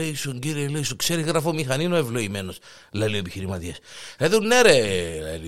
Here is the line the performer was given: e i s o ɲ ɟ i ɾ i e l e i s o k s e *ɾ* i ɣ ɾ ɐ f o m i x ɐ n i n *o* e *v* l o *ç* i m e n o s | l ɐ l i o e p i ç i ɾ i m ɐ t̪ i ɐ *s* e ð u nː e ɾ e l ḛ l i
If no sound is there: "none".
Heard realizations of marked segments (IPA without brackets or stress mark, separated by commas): ɾ, o, v, none, s